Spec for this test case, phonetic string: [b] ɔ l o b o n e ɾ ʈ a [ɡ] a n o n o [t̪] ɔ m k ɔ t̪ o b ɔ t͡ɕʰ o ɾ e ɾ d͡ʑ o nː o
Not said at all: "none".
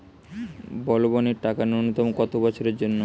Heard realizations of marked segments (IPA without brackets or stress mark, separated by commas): b, k, t̪